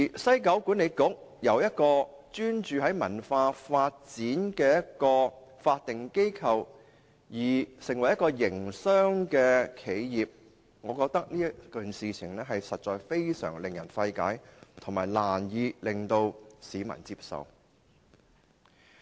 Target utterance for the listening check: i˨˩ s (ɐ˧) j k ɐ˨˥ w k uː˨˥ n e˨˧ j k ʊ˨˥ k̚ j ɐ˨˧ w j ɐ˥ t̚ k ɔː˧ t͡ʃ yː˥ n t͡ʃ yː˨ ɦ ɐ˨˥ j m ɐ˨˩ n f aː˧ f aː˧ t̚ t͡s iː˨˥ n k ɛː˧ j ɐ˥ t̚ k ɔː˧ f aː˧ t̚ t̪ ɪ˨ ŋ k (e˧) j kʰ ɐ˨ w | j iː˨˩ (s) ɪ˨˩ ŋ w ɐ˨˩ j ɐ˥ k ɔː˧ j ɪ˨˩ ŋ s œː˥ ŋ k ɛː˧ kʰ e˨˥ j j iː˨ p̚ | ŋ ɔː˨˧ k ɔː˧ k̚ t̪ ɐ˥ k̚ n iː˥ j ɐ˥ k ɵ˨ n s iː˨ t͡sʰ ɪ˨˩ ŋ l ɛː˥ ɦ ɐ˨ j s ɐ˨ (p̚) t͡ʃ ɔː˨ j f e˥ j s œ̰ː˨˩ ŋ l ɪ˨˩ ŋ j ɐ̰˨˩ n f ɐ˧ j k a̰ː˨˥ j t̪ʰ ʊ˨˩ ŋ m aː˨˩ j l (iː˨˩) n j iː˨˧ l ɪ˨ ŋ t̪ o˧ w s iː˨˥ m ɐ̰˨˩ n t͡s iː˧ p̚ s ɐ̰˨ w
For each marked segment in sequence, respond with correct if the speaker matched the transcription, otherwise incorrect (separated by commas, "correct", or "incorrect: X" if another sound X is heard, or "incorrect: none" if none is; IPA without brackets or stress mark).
incorrect: ɐ˥, incorrect: e˥, correct, incorrect: t̚, incorrect: aː˨˩